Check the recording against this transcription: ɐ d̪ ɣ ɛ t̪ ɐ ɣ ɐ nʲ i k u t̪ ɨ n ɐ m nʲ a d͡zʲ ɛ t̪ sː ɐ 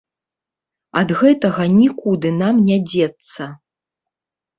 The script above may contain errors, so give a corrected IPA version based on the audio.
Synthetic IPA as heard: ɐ d̪ ɣ ɛ t̪ ɐ ɣ ɐ nʲ i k u d̪ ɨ n a m nʲ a d͡zʲ ɛ t̪ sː ɐ